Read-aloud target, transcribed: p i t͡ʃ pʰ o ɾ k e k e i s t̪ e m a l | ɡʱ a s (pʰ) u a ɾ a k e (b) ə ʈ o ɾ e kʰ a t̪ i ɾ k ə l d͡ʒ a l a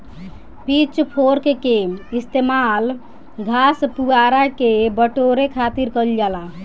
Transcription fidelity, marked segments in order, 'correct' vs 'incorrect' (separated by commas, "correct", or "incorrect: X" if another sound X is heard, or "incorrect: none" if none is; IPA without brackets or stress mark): incorrect: p, correct